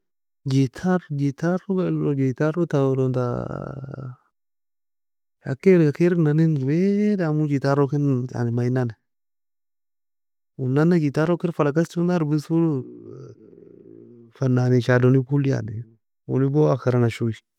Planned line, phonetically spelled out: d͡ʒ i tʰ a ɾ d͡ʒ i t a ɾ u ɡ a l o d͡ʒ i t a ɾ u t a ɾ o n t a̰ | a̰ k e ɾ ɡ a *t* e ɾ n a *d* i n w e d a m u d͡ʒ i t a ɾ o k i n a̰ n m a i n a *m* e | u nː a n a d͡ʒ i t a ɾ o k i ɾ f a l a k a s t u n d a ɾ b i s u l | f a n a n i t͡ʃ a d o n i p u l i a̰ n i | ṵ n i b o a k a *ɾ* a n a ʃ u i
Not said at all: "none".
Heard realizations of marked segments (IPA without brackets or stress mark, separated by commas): k, n, n, ɾ